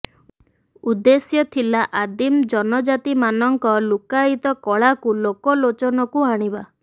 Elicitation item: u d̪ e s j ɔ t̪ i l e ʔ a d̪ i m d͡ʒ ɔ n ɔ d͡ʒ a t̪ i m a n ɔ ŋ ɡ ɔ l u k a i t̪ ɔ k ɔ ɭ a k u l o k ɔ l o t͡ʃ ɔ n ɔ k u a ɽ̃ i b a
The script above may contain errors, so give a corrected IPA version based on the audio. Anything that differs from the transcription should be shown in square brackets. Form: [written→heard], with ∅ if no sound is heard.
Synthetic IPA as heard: u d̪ e s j ɔ [t̪→t̪ʰ] i l [e→a] ʔ a d̪ i m d͡ʒ ɔ n ɔ d͡ʒ a t̪ i m a n ɔ ŋ [ɡ→k] ɔ l u k a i t̪ ɔ k ɔ ɭ a k u l o k ɔ l o t͡ʃ ɔ n ɔ k u a ɽ̃ i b a